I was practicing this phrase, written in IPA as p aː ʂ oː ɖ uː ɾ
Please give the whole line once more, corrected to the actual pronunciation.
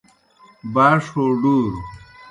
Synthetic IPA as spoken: b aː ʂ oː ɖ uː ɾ

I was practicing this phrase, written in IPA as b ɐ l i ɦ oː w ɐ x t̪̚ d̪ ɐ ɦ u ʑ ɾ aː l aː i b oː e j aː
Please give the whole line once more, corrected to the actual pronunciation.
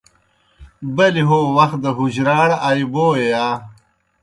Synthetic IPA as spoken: b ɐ l i ɦ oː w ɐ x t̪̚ d̪ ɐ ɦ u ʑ ɾ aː ɽ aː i b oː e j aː

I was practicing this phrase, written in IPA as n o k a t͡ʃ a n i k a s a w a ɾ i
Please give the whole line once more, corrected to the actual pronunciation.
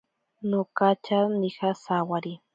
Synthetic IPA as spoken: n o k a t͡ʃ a n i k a s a w a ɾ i

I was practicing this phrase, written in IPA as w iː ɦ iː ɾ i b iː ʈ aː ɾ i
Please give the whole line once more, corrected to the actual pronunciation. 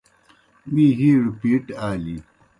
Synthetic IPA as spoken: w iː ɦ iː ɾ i p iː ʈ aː l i

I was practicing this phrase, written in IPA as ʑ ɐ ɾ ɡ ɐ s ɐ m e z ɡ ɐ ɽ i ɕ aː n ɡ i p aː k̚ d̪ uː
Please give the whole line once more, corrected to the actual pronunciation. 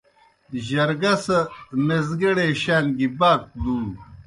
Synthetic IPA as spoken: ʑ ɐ ɾ ɡ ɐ s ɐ m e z ɡ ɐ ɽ e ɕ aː n ɡ i b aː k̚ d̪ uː

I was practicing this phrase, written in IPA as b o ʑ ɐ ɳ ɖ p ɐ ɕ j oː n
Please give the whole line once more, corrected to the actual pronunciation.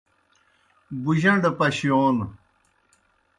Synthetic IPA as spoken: b u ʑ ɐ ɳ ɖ p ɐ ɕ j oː n

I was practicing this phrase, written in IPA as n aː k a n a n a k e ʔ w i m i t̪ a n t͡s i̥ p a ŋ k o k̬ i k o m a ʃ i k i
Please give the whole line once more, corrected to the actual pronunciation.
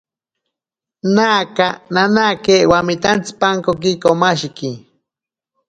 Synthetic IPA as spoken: n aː k a n a n a k e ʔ w a m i t̪ a n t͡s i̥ p a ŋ k o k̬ i k o m a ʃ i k i

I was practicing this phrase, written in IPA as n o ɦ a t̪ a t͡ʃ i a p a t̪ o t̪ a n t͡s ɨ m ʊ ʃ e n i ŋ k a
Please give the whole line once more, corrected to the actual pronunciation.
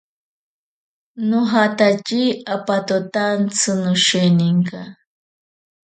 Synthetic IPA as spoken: n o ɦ a t̪ a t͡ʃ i a p a t̪ o t̪ a n t͡s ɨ n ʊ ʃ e n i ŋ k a

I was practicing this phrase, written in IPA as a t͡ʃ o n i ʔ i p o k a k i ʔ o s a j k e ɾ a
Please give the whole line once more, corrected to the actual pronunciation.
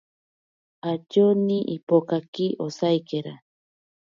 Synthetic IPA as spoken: a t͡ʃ o n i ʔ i p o k a k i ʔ o s a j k e ɾ a

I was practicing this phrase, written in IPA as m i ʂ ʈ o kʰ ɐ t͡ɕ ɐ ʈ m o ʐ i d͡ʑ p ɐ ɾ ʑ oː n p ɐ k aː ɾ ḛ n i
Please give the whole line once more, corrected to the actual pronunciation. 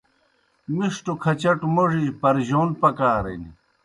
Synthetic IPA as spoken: m i ʂ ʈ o kʰ ɐ t͡ɕ ɐ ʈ m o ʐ i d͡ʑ p ɐ ɾ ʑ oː n p ɐ k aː ɾ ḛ n i

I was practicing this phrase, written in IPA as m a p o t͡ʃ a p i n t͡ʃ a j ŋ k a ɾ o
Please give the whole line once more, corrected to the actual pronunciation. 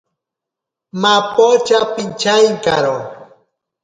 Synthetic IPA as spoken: m a p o t͡ʃ a p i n t͡ʃ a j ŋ k a ɾ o

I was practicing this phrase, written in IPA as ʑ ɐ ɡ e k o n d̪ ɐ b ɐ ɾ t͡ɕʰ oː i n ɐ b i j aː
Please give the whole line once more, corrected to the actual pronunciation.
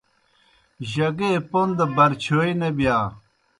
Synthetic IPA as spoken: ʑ ɐ ɡ e p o n d̪ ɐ b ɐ ɾ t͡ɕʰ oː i n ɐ b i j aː

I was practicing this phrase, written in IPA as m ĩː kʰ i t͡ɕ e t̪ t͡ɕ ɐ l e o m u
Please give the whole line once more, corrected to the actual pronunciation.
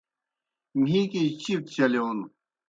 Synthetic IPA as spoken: m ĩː k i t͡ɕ i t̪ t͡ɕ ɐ l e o n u

